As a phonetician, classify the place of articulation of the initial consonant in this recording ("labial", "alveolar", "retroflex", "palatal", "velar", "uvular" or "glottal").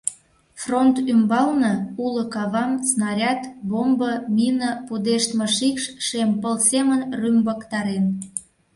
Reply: labial